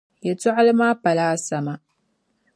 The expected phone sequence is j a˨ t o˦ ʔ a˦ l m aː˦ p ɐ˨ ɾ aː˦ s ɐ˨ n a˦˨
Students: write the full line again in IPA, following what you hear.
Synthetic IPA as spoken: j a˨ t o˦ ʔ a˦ l m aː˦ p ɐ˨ l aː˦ s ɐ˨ m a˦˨